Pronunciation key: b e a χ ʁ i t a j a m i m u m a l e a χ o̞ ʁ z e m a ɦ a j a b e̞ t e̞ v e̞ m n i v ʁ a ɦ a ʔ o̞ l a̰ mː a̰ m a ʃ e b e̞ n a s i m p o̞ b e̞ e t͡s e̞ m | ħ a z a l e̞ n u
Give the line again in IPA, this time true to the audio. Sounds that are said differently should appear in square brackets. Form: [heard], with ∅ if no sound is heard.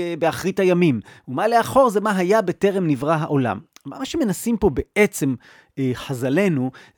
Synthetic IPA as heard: b e a χ ʁ i t a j a m i m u m a l e a χ o̞ ʁ z e m a ɦ a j a b e̞ t e̞ [ʁ] e̞ m n i v ʁ a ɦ a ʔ o̞ l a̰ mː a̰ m a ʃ e [m] e̞ n a s i m p o̞ b e̞ e t͡s e̞ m | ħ a z a l e̞ n u